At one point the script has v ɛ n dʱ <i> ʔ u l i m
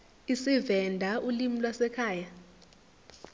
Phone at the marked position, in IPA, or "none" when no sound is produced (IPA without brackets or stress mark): a